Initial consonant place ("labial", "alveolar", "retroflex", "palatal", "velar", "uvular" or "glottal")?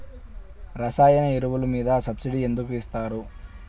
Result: alveolar